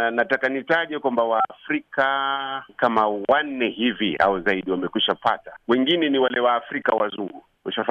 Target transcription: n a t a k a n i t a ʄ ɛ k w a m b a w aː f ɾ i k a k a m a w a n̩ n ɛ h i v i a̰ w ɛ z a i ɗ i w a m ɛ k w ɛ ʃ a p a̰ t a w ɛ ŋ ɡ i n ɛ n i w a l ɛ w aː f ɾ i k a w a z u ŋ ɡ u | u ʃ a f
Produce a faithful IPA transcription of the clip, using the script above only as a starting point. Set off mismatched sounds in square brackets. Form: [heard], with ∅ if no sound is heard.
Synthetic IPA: n a t a k a n i t a ʄ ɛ k w a m b a w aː f ɾ i k a k a m a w a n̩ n ɛ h i v i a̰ w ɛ z a i ɗ i w a m ɛ k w [i] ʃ a p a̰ t a w ɛ ŋ ɡ i n ɛ n i w a l ɛ w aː f ɾ i k a w a z u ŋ ɡ u | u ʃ a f